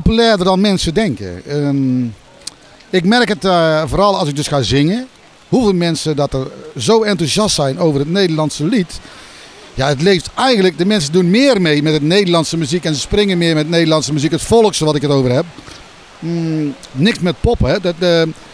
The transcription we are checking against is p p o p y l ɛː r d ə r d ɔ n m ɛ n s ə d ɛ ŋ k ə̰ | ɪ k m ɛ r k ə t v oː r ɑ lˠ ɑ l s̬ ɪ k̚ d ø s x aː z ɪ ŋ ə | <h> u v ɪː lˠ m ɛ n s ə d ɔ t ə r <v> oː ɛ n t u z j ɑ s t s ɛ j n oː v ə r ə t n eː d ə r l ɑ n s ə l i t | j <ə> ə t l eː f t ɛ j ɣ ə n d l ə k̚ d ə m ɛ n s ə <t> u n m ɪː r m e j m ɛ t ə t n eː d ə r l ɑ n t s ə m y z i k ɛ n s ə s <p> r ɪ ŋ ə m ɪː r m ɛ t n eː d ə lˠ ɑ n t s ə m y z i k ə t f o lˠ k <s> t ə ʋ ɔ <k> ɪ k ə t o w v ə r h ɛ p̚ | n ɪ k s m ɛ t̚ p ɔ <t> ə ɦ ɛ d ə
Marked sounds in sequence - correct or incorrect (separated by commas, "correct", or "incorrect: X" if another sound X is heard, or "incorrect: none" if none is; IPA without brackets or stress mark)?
correct, incorrect: z, incorrect: a, incorrect: d, correct, correct, incorrect: t, incorrect: p